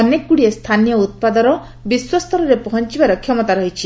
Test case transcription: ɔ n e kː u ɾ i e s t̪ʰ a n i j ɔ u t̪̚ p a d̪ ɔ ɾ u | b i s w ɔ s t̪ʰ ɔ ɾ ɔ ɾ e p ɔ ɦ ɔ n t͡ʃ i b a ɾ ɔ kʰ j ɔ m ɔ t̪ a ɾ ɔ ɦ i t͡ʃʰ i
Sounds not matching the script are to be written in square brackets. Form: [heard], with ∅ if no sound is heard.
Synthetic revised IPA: ɔ n e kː u [ɽ] i e s t̪ʰ a n i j ɔ u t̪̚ p a d̪ ɔ ɾ [ɔ] | b i s w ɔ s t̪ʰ ɔ ɾ ɔ ɾ e p ɔ ɦ ɔ n t͡ʃ i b a ɾ ɔ kʰ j ɔ m ɔ t̪ a ɾ ɔ ɦ i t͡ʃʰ i